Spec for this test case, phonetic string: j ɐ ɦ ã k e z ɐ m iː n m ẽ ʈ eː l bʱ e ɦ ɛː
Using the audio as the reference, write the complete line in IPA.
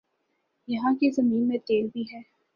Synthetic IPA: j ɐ ɦ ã k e z ɐ m iː n m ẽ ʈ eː l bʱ i ɦ ɛː